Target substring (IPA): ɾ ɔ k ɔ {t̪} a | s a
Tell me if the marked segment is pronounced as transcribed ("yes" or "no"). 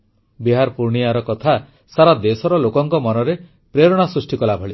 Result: no